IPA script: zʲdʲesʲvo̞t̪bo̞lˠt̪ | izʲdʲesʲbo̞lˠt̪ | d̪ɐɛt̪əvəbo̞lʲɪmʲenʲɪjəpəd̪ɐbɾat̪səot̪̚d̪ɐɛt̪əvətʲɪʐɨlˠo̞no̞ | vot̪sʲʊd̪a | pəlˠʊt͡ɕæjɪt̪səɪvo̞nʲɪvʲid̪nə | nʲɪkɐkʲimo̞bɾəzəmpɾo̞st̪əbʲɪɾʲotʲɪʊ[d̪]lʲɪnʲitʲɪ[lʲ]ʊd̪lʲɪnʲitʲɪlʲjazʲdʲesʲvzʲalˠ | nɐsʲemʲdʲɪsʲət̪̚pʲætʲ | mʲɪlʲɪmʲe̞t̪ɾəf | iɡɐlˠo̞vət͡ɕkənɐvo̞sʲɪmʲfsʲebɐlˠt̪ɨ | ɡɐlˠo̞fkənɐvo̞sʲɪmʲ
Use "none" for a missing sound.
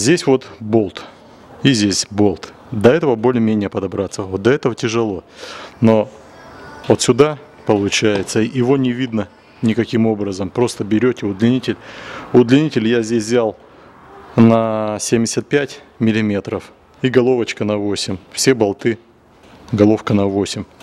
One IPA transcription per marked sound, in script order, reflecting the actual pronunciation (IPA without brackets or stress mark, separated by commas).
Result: d̪, lʲ